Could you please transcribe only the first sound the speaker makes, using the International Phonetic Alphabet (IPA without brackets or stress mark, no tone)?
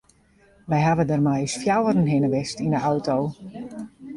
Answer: ʋ